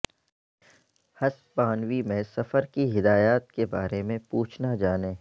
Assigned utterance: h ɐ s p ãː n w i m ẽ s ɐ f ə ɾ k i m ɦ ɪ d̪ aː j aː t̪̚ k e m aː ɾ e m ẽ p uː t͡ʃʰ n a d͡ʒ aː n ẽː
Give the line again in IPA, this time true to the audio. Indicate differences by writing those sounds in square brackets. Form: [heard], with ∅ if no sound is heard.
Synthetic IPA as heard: h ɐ s p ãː n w i m ẽ s ɐ f ə ɾ k i [∅] ɦ ɪ d̪ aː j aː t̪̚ k e [b] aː ɾ e m ẽ p uː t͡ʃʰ n a d͡ʒ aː n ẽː